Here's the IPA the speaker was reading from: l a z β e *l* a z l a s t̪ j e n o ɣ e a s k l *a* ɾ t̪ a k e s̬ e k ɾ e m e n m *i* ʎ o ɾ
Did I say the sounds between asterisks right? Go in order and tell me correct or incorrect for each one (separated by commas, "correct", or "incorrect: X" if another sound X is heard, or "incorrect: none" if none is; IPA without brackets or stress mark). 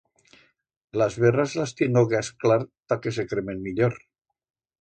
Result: incorrect: r, correct, correct